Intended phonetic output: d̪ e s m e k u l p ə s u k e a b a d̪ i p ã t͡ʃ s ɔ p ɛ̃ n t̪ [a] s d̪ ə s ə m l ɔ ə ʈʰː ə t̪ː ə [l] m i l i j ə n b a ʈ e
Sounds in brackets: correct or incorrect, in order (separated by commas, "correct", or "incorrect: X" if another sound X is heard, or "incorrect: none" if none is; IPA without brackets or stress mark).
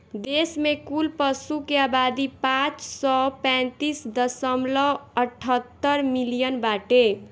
incorrect: i, incorrect: ɾ